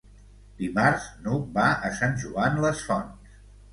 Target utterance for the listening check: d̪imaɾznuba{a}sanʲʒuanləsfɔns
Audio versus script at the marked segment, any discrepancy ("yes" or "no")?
yes